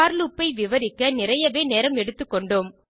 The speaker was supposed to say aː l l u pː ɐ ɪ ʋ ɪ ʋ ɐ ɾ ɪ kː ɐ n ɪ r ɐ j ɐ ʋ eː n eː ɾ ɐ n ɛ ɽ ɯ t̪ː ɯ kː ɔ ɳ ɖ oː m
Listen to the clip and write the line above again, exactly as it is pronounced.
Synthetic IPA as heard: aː ɾ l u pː ɐ ɪ ʋ ɪ ʋ ɐ ɾ ɪ kː ɐ n ɪ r ɐ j ɐ ʋ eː n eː ɾ ɐ m ɛ ɽ ɯ t̪ː ɯ kː ɔ ɳ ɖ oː m